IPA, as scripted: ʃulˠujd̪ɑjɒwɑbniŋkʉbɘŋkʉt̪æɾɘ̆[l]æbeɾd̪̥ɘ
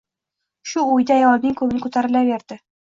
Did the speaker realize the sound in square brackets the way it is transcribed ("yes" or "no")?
yes